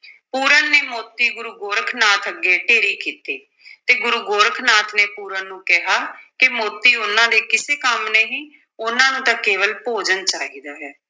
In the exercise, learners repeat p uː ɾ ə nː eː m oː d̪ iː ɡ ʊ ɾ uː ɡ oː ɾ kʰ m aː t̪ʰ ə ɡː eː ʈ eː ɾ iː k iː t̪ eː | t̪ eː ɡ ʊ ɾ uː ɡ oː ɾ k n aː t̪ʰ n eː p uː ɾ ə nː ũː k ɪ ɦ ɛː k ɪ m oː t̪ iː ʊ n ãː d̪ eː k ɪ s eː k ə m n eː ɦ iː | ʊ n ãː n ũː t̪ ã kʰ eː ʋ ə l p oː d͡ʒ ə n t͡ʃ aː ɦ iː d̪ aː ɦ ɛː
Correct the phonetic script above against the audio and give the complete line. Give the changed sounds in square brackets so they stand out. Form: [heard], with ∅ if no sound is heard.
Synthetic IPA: p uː ɾ ə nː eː m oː [t̪] iː ɡ ʊ ɾ uː ɡ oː ɾ kʰ [n] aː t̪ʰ ə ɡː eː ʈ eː ɾ iː k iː t̪ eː | t̪ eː ɡ ʊ ɾ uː ɡ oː ɾ [kʰ] n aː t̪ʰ n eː p uː ɾ ə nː ũː k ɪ ɦ [aː] k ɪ m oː t̪ iː ʊ n ãː d̪ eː k ɪ s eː k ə m n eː ɦ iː | ʊ n ãː n ũː t̪ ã [k] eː ʋ ə l p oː d͡ʒ ə n t͡ʃ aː ɦ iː d̪ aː ɦ ɛː